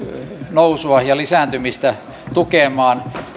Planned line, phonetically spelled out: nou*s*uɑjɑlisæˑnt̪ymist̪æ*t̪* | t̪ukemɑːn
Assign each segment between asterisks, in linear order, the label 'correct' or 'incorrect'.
correct, incorrect: none

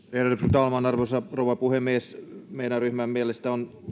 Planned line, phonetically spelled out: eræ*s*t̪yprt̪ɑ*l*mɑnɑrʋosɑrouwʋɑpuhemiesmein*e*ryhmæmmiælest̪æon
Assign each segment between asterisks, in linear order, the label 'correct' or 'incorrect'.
incorrect: none, correct, incorrect: æ

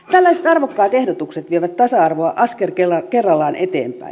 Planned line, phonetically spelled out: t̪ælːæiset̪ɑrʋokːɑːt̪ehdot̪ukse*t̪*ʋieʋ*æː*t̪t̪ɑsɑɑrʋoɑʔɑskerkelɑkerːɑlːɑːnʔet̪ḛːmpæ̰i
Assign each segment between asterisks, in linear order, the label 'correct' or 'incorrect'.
correct, incorrect: æ

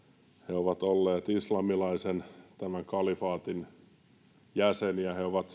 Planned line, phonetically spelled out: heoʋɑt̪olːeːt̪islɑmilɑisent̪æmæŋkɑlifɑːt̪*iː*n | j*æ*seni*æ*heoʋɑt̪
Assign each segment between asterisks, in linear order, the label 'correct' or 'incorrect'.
incorrect: i, correct, correct

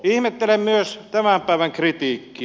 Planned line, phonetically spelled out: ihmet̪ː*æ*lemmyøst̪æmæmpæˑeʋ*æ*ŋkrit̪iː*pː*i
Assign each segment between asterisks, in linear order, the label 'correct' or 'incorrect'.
incorrect: e, correct, incorrect: kː

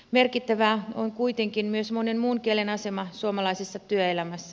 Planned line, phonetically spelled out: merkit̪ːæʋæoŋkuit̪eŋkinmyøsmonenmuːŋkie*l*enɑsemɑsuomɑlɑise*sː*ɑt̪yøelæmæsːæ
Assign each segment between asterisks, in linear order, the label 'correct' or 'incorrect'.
correct, correct

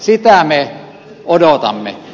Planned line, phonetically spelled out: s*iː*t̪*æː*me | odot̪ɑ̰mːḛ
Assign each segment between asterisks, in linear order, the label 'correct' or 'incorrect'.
incorrect: i, incorrect: æ

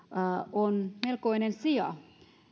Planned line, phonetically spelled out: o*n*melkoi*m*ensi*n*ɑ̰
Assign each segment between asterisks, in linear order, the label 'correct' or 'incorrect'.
correct, incorrect: n, incorrect: none

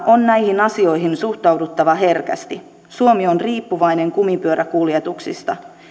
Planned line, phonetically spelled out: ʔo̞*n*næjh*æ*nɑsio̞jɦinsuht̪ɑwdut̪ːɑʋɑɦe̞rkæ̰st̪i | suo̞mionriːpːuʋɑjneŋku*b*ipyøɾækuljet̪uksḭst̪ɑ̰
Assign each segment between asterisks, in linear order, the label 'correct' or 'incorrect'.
correct, incorrect: i, incorrect: m

